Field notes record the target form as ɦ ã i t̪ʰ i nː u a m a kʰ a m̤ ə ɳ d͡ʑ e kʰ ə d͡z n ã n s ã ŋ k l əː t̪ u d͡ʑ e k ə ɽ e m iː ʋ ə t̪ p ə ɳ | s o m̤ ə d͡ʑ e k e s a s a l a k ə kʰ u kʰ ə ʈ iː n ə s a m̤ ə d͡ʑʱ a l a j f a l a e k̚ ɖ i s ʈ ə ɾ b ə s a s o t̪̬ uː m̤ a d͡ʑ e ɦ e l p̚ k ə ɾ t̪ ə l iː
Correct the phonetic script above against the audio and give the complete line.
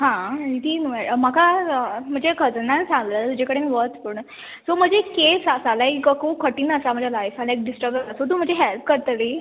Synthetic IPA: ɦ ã i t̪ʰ i n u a m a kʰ a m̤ ə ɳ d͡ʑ e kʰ ə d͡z n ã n s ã ŋ ɡ l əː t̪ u d͡ʑ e k ə ɽ e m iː ʋ ə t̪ p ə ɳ | s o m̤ ə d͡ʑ e k e s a s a l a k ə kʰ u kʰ ə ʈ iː n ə s a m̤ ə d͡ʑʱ a l a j f a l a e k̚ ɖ i s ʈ ə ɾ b ə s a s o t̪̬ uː m̤ ə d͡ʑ e ɦ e l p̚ k ə ɾ t̪ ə l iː

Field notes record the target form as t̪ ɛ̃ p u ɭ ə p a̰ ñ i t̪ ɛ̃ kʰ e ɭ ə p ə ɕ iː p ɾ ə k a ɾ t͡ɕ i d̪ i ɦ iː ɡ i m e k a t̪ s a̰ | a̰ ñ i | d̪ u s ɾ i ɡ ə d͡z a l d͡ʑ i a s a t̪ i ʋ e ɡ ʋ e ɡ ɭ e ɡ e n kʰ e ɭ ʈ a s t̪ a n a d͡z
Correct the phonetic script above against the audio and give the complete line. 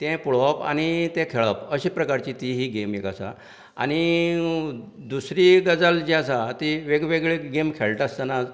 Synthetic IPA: t̪ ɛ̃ p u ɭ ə p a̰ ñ i t̪ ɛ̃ kʰ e ɭ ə p ə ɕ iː p ɾ ə k a ɾ t͡ɕ i t̪ i ɦ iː ɡ e m e k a s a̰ | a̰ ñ i | d̪ u s ɾ i ɡ ə d͡z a l d͡ʑ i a s a t̪ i ʋ e ɡ ʋ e ɡ ɭ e ɡ e m kʰ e ɭ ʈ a s t̪ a n a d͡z

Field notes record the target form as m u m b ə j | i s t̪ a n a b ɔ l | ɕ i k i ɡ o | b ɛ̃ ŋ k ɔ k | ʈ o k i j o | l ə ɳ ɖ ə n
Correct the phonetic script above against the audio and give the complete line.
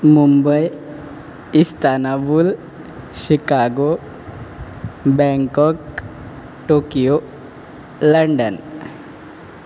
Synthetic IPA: m u m b ə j | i s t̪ a n a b u l | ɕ i k a ɡ o | b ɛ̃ ŋ k ɔ k | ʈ o k i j o | l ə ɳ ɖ ə n

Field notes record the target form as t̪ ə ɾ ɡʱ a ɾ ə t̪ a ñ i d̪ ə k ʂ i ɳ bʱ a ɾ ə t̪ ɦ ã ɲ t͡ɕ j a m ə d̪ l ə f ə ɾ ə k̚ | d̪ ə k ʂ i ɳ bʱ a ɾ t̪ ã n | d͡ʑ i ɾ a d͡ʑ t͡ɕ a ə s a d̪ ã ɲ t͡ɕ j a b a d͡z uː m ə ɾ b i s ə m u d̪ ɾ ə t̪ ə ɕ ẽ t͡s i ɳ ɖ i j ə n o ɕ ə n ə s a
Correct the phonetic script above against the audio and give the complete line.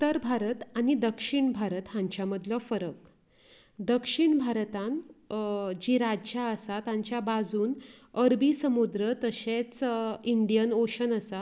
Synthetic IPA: t̪ ə ɾ bʱ a ɾ ə t̪ a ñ i d̪ ə k ʂ i ɳ bʱ a ɾ ə t̪ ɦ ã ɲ t͡ɕ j a m ə d̪ l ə f ə ɾ ə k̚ | d̪ ə k ʂ i ɳ bʱ a ɾ t̪ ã n | d͡ʑ i ɾ a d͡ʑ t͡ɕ a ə s a t̪ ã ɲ t͡ɕ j a b a d͡z uː n ə ɾ b i s ə m u d̪ ɾ ə t̪ ə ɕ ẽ t͡s i ɳ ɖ i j ə n o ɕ ə n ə s a

